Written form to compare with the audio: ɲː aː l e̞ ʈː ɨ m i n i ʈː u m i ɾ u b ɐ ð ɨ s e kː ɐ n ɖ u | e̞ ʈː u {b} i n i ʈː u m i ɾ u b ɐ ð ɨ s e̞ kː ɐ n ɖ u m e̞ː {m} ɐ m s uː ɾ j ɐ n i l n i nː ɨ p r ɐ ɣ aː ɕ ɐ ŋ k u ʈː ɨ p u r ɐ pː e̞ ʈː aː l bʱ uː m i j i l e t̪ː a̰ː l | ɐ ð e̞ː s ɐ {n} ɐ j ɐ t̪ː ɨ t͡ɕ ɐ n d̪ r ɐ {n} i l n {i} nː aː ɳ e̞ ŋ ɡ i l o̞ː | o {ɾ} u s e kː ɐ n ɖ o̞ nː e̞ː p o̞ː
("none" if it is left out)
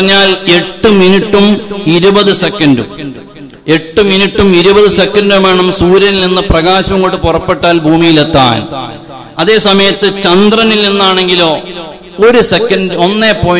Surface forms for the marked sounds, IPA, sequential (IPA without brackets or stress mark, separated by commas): m, ɳ, m, n, i, ɾ